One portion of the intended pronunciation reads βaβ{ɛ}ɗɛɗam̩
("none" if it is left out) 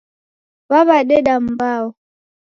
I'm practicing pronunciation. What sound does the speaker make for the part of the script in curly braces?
a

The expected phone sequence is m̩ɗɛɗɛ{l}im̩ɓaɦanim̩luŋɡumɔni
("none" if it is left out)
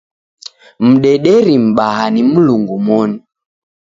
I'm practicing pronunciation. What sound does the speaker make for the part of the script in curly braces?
ɾ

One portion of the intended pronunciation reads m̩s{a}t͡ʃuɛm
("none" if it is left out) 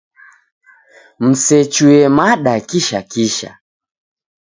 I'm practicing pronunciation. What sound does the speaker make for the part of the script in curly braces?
ɛ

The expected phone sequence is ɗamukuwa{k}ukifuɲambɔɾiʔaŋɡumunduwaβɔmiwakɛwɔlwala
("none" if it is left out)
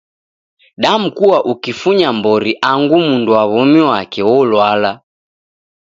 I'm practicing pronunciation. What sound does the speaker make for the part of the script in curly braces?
ʔ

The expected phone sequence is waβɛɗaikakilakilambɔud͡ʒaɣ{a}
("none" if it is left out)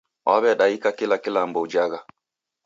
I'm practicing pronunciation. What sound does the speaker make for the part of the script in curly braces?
a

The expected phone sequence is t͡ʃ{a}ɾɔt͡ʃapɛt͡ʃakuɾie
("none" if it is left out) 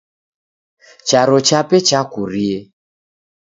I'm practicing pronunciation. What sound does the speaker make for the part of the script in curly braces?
a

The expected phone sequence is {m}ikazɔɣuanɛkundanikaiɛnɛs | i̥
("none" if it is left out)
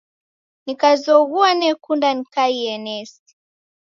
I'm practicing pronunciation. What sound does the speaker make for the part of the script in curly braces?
n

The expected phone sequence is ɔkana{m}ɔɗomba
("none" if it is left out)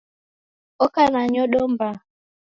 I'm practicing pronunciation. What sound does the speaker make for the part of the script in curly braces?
ɲ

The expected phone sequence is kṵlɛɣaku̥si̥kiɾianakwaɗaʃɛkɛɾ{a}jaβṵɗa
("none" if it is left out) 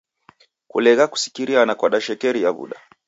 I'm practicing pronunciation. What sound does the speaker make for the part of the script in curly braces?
i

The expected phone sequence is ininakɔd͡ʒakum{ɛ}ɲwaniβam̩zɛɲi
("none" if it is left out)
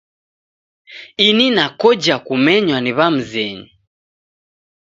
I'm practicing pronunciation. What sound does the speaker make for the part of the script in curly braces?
ɛ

